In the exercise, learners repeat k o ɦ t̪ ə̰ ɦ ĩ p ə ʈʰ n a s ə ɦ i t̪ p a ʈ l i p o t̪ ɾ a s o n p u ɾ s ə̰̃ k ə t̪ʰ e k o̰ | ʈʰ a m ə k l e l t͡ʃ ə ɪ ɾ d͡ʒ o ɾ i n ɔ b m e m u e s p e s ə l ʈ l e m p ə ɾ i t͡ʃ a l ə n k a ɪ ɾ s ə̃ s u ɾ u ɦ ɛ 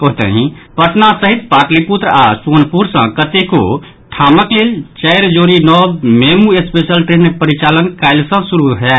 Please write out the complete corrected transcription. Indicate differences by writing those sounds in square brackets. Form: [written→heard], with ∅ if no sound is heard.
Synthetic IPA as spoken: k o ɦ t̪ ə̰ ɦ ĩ p ə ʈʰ n a s ə ɦ i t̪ p a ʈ l i p [o→u] t̪ ɾ a s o n p u ɾ s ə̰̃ k ə [t̪ʰ→t̪] e k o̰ | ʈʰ a m ə k l e l t͡ʃ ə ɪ ɾ d͡ʒ o ɾ i n ɔ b m e m u e s p e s ə l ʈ [l→ɾ] e [m→n] p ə ɾ i t͡ʃ a l ə n k a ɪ [ɾ→l] s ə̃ s u ɾ u ɦ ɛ